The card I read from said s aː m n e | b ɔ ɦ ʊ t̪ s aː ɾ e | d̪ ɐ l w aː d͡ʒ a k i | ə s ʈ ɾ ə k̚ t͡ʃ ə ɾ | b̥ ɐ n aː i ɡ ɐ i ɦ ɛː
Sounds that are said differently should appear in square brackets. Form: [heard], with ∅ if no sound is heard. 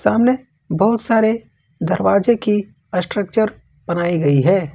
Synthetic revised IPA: s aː m n e | b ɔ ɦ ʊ t̪ s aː ɾ e | d̪ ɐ [ɾ] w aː d͡ʒ [e] k i | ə s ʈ ɾ ə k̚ t͡ʃ ə ɾ | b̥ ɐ n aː i ɡ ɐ i ɦ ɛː